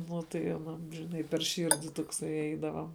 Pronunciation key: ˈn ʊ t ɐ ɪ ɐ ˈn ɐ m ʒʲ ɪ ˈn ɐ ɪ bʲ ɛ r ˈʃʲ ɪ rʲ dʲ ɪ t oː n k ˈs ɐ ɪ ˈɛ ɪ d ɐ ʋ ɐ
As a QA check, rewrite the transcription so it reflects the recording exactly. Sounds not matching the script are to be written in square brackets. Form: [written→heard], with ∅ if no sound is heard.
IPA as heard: ˈn ʊ t ɐ ɪ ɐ ˈn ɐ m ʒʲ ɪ ˈn ɐ ɪ [bʲ→pʲ] ɛ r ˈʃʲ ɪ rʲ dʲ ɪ t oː [n→∅] k ˈs ɐ ɪ ˈɛ ɪ d ɐ ʋ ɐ